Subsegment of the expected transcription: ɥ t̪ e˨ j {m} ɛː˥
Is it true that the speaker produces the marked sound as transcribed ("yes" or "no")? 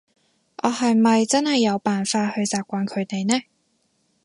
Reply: no